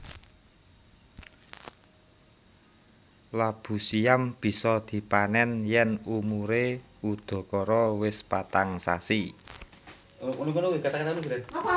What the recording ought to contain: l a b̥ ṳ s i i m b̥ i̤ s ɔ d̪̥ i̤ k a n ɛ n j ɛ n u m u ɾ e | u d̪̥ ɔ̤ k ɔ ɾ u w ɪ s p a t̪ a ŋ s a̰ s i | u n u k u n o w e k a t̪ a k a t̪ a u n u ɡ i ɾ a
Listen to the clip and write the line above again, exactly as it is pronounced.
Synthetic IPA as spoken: l a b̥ ṳ s i a m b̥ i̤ s ɔ d̪̥ i̤ p a n ɛ n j ɛ n u m u ɾ e | u d̪̥ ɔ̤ k ɔ ɾ ɔ w ɪ s p a t̪ a ŋ s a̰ s i | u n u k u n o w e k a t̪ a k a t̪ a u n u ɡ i ɾ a